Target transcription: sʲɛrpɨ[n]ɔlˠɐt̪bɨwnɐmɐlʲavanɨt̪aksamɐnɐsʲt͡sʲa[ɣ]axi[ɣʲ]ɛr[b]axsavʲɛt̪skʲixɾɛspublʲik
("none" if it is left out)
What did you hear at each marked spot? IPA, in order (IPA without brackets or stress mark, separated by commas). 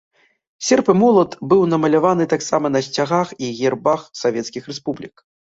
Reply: m, ɣ, ɣʲ, b